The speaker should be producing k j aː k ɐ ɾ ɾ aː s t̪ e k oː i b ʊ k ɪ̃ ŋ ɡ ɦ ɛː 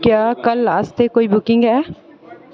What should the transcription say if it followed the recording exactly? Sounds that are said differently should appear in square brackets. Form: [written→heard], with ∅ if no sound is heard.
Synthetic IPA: k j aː k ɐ [ɾ→l] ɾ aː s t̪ e k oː i b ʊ k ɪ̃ ŋ ɡ ɦ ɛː